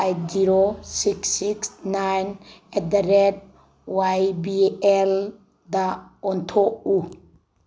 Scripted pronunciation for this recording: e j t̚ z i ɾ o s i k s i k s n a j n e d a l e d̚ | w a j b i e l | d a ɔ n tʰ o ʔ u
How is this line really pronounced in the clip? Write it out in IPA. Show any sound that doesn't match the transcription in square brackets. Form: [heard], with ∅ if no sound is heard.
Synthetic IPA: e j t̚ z i ɾ o s i k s i k s n a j n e d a [ɾ] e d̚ | w a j b i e l | d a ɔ n tʰ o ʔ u